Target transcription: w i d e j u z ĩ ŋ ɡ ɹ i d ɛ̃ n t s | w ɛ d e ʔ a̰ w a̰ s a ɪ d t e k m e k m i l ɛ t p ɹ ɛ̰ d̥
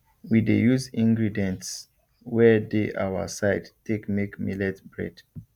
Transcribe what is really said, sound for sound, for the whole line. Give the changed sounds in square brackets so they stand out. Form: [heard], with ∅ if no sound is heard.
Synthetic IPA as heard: w i d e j u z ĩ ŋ ɡ ɹ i d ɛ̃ n t s | w ɛ d e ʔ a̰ w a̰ s a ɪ d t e k m e k m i l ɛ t [b] ɹ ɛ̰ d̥